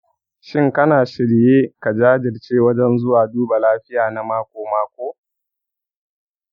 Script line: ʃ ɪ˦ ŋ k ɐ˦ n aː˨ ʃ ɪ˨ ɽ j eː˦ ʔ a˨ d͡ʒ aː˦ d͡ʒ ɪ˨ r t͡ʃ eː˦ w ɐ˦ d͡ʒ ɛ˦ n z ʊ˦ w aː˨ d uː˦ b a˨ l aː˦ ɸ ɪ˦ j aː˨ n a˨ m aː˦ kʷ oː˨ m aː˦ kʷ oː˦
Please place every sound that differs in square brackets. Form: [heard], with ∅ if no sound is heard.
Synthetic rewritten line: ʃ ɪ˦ ŋ k ɐ˦ n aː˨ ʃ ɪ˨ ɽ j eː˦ [k] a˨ d͡ʒ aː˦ d͡ʒ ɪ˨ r t͡ʃ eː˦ w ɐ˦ d͡ʒ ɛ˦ n z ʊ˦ w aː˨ d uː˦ b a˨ l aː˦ ɸ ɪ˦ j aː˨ n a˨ m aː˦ kʷ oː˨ m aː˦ kʷ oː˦